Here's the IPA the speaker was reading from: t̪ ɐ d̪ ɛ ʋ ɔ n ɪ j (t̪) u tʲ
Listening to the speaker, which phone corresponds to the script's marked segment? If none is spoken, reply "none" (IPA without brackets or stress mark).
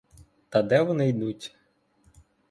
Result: d̪